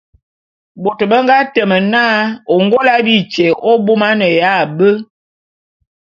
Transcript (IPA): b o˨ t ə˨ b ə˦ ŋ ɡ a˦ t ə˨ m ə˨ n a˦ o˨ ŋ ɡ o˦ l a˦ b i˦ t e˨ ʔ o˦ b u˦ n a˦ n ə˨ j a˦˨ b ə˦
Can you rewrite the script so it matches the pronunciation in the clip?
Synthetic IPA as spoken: b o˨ t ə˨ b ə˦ ŋ ɡ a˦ t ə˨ m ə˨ n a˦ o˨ ŋ ɡ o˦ l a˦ b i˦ t͡ʃ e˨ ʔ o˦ b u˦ m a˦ n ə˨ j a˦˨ b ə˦